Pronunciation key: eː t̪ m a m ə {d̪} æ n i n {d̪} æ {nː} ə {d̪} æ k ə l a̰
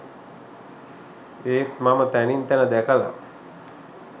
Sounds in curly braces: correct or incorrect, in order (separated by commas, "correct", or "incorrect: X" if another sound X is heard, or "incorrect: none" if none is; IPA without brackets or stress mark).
incorrect: t̪, incorrect: t̪, incorrect: n, correct